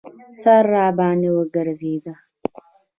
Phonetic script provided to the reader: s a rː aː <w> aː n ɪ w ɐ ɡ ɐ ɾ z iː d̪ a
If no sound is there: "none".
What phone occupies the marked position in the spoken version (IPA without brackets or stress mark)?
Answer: b